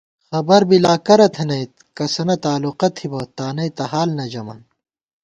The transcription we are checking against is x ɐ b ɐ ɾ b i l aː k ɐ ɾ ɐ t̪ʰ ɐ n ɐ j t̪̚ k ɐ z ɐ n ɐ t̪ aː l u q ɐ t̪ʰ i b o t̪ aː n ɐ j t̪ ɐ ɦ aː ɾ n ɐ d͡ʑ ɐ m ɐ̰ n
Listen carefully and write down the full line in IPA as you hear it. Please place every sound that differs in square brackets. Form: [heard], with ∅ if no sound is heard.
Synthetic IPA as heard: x ɐ b ɐ ɾ b i l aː k ɐ ɾ ɐ t̪ʰ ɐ n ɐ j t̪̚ k ɐ [s] ɐ n ɐ t̪ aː l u q ɐ t̪ʰ i b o t̪ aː n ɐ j t̪ ɐ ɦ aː [l] n ɐ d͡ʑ ɐ m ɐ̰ n